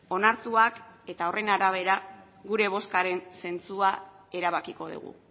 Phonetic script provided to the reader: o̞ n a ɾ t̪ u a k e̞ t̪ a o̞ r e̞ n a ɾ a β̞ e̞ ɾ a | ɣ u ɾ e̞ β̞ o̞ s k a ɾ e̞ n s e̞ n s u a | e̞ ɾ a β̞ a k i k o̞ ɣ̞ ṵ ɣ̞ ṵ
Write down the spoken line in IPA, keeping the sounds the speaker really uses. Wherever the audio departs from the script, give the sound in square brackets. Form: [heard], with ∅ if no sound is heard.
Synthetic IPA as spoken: o̞ n a ɾ t̪ u a k e̞ t̪ a o̞ r e̞ n a ɾ a β̞ e̞ ɾ a | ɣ u ɾ e̞ β̞ o̞ s k a ɾ e̞ n s e̞ n [t͡s] u a | e̞ ɾ a β̞ a k i k o̞ [ð̞] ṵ ɣ̞ ṵ